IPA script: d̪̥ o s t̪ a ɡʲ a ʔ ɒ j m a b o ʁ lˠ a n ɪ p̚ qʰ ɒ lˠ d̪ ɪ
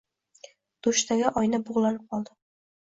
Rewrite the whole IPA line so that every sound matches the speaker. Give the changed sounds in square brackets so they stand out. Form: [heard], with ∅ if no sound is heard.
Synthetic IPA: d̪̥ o [ʃ] t̪ a ɡʲ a ʔ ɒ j [n] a b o ʁ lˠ a n ɪ p̚ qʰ ɒ lˠ d̪ ɪ